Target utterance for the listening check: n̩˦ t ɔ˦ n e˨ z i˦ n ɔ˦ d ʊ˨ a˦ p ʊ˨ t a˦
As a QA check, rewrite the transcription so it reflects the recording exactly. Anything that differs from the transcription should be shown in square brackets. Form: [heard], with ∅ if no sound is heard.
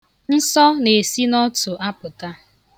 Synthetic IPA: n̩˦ [s] ɔ˦ n e˨ [s] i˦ n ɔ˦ [t] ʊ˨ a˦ p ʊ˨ t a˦